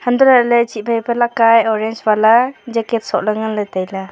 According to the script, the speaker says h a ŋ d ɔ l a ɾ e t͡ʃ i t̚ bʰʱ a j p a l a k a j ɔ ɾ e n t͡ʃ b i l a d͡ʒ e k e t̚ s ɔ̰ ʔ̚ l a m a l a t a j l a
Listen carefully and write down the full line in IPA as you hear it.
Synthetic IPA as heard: h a n d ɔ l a l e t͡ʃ i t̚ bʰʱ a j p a l a k a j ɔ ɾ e n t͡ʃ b a l a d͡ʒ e k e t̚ s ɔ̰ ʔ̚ l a ŋ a l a t a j l a